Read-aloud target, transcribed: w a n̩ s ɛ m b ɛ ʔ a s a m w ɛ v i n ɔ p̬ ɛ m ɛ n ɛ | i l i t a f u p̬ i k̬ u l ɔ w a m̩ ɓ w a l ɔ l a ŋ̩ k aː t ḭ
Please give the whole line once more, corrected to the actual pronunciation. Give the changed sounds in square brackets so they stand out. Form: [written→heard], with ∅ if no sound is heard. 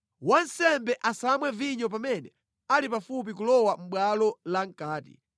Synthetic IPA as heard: w a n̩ s ɛ m b ɛ ʔ a s a m w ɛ v i [n→ɲ] ɔ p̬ [ɛ→a] m ɛ n ɛ | [i→a] l i [t→p] a f u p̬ i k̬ u l ɔ w a m̩ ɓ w a l ɔ l a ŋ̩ k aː t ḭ